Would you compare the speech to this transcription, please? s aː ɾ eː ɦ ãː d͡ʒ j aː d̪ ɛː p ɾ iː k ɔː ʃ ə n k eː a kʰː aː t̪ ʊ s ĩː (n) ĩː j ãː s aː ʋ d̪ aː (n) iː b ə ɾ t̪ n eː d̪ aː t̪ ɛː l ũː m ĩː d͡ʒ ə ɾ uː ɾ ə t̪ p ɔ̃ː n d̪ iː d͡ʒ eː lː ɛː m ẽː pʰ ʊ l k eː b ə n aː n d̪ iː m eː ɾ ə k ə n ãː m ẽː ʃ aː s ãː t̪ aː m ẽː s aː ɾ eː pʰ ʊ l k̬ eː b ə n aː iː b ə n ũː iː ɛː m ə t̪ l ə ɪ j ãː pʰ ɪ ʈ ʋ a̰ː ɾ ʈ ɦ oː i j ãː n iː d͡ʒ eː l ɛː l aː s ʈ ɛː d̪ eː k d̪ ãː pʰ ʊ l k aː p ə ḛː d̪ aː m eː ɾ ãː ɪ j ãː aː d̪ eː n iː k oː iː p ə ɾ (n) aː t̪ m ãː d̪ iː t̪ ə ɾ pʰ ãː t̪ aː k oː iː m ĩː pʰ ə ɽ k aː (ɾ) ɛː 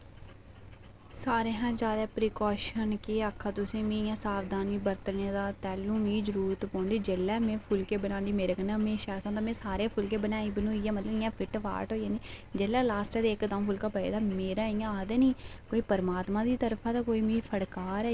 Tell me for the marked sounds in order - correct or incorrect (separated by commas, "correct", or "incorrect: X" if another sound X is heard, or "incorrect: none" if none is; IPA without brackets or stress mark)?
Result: incorrect: m, correct, incorrect: m, correct